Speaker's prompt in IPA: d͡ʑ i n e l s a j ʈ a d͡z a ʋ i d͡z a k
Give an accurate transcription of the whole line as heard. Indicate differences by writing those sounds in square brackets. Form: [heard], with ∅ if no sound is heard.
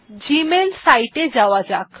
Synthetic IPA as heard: d͡ʑ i [m] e l s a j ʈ [e] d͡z a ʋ [a] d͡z a k